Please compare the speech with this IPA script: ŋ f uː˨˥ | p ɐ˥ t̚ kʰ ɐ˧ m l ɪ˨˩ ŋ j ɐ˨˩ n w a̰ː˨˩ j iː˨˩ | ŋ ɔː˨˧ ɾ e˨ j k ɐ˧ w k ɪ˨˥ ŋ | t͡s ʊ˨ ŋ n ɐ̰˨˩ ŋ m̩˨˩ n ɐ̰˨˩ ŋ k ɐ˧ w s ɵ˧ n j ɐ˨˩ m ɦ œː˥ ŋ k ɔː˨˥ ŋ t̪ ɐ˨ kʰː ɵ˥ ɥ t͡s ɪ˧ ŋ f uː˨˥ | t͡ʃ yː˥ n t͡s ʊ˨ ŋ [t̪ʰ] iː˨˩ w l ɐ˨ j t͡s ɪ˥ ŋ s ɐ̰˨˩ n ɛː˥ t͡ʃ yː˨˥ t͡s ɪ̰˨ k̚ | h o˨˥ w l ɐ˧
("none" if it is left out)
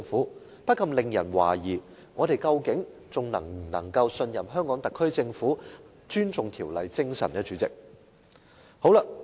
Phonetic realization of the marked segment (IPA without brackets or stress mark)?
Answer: t̪ʰ